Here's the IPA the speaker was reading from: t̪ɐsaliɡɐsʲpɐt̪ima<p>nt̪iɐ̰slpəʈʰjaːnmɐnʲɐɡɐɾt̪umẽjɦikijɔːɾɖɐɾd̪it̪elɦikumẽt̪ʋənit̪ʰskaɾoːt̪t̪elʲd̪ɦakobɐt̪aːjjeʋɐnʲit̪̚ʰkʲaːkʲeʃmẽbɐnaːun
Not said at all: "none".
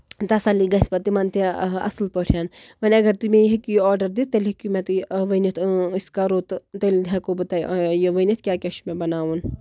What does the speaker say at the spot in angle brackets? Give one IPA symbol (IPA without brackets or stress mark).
none